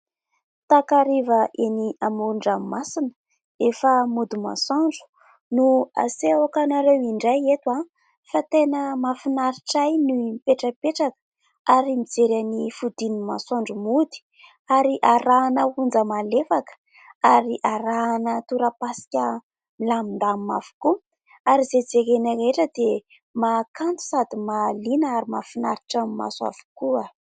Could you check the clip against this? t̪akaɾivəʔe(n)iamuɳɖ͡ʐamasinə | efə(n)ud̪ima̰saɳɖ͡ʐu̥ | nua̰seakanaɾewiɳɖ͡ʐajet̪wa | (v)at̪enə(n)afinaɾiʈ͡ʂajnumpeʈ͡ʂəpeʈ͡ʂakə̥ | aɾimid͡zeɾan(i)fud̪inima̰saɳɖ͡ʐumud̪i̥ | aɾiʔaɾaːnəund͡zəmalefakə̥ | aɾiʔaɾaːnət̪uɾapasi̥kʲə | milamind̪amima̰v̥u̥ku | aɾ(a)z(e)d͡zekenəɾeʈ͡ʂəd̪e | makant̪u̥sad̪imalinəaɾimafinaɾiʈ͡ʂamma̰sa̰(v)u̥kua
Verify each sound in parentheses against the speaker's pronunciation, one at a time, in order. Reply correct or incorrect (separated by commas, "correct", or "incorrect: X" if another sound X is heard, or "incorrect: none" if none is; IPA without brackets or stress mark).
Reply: correct, incorrect: m, incorrect: f, incorrect: m, correct, incorrect: i, correct, correct